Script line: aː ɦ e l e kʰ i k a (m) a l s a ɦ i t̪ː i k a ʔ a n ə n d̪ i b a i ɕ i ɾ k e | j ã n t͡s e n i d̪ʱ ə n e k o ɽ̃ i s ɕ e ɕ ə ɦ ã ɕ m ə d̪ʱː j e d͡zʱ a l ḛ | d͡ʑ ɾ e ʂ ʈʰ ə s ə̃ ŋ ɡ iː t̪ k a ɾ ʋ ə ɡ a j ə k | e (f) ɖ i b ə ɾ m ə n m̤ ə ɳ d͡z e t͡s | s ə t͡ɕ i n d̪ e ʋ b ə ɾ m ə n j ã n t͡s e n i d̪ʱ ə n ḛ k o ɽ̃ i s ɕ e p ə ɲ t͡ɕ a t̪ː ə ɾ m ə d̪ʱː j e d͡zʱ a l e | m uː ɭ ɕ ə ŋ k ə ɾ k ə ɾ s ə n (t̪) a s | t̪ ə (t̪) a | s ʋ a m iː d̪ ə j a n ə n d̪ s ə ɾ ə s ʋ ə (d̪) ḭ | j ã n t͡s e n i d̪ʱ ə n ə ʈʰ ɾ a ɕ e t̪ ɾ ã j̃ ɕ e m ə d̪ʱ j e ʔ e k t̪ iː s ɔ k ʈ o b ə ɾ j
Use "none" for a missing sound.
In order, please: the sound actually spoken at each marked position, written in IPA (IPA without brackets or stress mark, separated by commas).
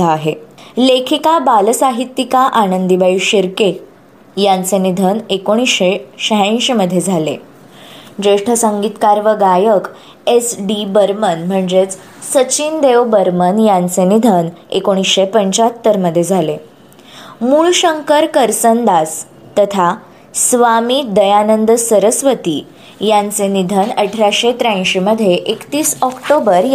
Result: b, s, d̪, t̪ʰ, t̪